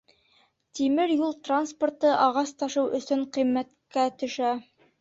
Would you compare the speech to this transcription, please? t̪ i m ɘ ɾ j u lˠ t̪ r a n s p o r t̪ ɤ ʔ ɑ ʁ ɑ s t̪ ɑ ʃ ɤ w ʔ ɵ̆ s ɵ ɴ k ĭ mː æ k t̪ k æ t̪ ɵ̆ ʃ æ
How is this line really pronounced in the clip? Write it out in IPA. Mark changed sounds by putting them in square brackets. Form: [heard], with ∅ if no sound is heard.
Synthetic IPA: t̪ i m ɘ ɾ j u lˠ t̪ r a n s p o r t̪ ɤ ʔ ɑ ʁ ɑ s t̪ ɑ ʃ ɤ w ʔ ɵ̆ s ɵ ɴ [q] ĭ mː æ [∅] t̪ k æ t̪ ɵ̆ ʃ æ